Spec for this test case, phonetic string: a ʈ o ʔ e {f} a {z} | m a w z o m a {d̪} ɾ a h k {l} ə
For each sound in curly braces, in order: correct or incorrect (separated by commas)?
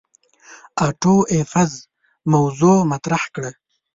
correct, correct, incorrect, incorrect